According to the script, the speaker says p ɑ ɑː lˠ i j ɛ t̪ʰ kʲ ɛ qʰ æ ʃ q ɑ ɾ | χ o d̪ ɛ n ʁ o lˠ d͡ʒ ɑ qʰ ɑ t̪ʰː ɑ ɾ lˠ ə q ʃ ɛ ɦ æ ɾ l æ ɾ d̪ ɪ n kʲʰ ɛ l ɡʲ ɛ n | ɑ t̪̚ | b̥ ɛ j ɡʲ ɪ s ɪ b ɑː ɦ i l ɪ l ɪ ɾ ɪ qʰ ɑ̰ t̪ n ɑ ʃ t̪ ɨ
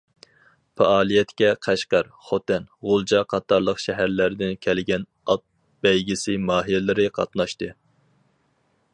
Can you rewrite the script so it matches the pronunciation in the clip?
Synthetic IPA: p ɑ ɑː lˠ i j ɛ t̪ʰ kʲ ɛ qʰ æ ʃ q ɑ ɾ | χ o t̪ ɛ n ʁ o lˠ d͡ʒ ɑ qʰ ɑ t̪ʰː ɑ ɾ lˠ ə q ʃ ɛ ɦ æ ɾ l æ ɾ d̪ ɪ n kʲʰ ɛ l ɡʲ ɛ n | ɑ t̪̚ | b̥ ɛ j ɡʲ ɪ s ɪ m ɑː ɦ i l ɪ l ɪ ɾ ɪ qʰ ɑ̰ t̪ n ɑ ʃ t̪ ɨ